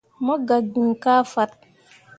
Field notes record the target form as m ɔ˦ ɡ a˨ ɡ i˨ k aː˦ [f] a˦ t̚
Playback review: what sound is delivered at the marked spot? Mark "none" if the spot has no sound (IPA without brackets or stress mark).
f